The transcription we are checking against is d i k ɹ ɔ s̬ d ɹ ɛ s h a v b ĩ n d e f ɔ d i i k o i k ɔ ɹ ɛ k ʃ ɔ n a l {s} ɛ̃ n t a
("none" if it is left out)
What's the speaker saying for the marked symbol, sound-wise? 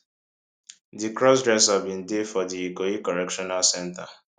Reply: s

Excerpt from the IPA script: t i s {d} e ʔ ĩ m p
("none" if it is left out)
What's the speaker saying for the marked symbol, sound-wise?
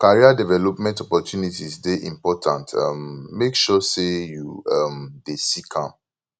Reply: d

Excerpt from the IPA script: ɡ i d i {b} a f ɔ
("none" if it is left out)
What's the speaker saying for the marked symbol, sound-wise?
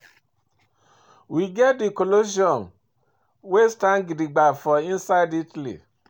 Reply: ɡ͡b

